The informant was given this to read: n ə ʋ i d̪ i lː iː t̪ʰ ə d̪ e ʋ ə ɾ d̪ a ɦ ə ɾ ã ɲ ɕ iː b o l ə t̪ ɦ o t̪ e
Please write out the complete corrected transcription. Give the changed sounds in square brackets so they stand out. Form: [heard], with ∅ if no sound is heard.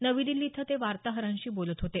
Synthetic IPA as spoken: n ə ʋ i d̪ i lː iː t̪ʰ ə [t̪] e ʋ [a] ɾ [t̪] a ɦ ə ɾ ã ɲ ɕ iː b o l ə t̪ ɦ o t̪ e